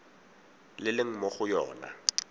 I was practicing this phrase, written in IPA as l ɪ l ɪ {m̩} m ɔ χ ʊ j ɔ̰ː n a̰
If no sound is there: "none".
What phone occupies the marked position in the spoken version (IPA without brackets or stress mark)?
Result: ŋ̩